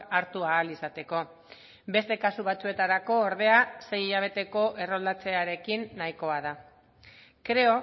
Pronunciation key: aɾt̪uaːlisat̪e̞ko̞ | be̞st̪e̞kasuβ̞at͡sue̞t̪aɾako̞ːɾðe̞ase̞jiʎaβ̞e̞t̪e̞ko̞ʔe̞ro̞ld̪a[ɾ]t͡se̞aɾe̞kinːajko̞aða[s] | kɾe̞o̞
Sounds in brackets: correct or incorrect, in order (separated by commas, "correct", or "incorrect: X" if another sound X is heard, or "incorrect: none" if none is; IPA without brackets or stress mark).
incorrect: none, incorrect: none